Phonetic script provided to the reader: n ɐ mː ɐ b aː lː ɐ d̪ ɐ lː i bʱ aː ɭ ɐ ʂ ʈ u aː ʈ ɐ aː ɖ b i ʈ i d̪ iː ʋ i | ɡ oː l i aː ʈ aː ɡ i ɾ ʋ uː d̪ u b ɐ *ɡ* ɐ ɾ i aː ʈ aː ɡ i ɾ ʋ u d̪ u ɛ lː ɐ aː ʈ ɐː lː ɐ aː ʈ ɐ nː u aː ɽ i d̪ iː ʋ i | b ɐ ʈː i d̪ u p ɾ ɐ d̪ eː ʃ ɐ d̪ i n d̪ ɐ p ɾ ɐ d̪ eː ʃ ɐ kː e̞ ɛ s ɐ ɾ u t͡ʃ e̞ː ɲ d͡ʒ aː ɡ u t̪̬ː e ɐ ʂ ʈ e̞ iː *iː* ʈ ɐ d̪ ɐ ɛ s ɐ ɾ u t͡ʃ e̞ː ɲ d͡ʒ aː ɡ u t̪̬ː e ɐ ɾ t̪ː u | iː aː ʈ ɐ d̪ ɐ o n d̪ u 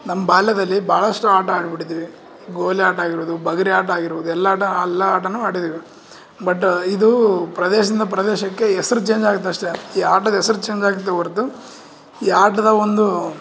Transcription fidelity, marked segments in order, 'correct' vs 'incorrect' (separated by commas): correct, incorrect